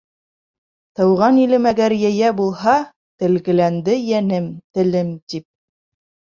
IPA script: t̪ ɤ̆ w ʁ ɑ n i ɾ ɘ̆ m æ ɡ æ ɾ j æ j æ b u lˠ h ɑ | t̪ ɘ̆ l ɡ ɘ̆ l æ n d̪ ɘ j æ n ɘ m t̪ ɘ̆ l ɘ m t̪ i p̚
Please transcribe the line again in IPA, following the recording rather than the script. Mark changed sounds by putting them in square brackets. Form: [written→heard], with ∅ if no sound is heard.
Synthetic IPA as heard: t̪ ɤ̆ w ʁ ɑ n i [ɾ→l] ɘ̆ m æ ɡ æ ɾ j æ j æ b u lˠ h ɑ | t̪ ɘ̆ l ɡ ɘ̆ l æ n d̪ ɘ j æ n ɘ m t̪ ɘ̆ l ɘ m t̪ i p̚